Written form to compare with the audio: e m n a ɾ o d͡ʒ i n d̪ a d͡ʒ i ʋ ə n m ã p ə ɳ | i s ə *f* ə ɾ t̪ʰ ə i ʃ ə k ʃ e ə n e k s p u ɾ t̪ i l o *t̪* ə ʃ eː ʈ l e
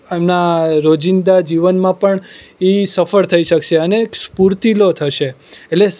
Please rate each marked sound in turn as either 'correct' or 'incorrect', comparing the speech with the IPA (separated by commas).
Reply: correct, incorrect